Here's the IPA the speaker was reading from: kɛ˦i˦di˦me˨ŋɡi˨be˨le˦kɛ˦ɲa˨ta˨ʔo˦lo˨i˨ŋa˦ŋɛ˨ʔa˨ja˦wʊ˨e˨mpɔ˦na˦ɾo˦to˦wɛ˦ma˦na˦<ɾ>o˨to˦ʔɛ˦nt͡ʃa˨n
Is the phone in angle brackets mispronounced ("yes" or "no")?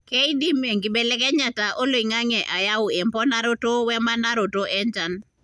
no